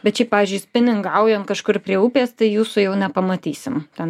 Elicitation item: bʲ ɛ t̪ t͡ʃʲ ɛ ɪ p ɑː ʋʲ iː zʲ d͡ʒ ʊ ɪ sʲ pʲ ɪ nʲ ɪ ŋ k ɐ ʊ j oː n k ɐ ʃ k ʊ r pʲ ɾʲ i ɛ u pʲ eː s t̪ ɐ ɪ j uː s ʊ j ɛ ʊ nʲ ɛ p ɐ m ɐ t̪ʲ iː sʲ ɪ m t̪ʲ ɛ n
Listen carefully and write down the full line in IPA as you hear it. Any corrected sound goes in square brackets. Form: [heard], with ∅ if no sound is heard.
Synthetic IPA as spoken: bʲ ɛ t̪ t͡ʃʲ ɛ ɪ p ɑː ʋʲ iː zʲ d͡ʒ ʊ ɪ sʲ pʲ ɪ nʲ ɪ ŋ [ɡ] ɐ ʊ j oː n k ɐ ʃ k ʊ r pʲ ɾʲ i ɛ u pʲ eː s t̪ ɐ ɪ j uː s ʊ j ɛ ʊ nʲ ɛ p ɐ m ɐ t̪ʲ iː sʲ ɪ m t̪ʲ ɛ n